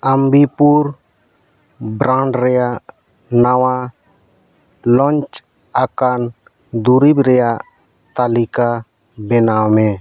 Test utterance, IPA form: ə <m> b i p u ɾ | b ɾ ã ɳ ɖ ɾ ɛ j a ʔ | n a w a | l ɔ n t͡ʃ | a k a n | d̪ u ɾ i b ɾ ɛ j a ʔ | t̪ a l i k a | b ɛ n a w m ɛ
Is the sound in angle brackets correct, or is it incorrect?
correct